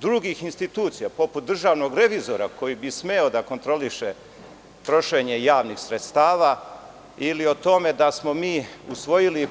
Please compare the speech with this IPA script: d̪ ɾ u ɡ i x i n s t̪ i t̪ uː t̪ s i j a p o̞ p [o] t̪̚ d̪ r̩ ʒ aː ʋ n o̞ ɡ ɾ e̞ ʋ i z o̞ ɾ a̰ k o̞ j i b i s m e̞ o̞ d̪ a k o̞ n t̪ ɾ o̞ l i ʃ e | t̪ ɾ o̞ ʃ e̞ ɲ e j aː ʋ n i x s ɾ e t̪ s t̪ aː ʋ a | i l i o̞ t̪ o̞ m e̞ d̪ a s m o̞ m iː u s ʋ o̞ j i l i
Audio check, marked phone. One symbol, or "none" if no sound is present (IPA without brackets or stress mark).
u